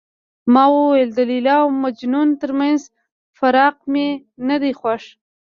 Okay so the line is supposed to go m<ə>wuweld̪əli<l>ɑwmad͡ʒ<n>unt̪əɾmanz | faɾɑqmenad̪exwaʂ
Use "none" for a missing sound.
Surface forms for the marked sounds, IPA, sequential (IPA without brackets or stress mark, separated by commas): ɑ, l, n